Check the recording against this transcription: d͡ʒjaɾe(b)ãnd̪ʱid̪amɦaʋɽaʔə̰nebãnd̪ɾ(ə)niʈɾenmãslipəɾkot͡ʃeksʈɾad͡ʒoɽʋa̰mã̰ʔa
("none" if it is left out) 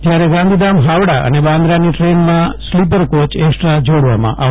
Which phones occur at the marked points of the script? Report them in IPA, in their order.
ɡ, a

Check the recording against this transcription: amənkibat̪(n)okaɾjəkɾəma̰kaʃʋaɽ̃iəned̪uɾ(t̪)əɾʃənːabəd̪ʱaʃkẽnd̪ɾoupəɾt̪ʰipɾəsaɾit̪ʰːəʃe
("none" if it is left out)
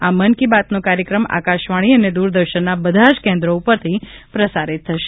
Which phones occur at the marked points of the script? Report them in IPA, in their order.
n, d̪

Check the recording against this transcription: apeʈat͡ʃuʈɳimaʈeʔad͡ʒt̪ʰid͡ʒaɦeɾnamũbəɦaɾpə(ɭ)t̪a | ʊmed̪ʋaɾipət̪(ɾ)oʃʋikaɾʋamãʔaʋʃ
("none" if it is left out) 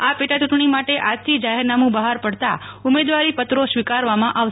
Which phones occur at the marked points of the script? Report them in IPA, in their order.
ɽ, ɾ

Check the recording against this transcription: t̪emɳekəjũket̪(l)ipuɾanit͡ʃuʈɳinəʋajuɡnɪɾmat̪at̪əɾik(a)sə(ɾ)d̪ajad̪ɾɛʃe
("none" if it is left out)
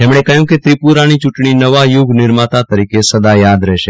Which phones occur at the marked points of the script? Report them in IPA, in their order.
ɾ, e, none

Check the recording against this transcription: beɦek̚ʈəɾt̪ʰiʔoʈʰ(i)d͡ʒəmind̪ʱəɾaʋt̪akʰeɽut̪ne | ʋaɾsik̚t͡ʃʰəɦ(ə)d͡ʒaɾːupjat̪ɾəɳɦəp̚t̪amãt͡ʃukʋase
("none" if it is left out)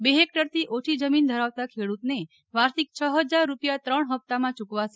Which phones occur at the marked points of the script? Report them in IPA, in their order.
i, ə

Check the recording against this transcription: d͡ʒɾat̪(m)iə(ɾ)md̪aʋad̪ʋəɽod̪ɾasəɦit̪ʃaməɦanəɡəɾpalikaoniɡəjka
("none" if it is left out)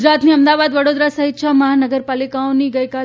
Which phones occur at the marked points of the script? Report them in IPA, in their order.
n, none

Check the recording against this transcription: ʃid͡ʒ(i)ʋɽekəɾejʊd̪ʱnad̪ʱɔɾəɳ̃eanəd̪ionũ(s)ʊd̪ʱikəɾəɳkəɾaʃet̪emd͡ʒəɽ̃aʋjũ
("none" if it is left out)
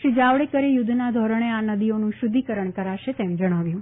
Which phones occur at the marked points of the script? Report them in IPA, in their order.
a, ʃ

